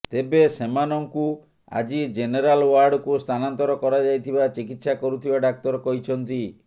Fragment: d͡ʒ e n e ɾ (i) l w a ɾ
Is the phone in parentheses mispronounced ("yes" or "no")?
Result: yes